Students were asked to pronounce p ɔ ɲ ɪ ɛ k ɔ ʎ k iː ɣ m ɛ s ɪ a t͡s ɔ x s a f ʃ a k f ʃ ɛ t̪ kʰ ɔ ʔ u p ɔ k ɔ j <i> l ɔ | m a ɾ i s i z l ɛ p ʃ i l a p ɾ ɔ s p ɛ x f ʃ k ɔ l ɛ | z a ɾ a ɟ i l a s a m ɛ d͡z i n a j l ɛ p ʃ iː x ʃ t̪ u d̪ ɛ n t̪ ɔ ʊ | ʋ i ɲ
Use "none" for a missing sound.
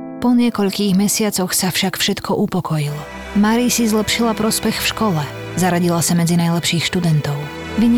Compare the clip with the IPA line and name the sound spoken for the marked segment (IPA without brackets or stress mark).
i